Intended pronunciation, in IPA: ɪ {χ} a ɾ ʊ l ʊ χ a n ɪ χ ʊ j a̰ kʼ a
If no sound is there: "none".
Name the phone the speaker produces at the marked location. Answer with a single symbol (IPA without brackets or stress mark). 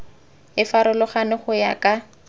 f